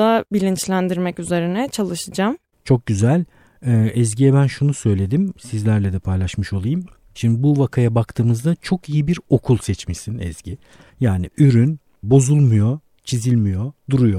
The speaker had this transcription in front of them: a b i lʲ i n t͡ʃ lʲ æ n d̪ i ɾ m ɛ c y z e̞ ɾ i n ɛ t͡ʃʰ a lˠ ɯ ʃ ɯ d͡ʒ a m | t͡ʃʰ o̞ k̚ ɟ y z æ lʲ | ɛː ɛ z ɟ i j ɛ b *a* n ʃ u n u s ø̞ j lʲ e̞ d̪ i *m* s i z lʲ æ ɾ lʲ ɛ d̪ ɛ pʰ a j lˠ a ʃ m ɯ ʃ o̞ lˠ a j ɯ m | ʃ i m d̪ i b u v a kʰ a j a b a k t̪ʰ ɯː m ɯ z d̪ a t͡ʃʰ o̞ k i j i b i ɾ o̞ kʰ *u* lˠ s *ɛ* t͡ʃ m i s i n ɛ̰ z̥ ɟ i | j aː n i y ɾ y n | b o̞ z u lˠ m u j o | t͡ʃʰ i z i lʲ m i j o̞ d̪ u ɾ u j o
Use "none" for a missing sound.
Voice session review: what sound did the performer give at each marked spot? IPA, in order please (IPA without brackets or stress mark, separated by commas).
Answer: æ, m, u, ɛ